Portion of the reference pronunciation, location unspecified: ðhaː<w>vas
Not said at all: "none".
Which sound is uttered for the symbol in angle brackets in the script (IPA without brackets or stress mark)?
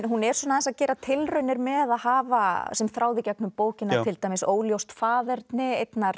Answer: none